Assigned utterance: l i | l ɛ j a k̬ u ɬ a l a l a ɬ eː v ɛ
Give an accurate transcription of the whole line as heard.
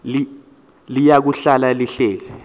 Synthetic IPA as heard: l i | l i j a k̬ u ɬ a l a l i ɬ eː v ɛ